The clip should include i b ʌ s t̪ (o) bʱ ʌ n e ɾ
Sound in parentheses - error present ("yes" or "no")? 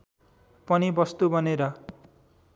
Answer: yes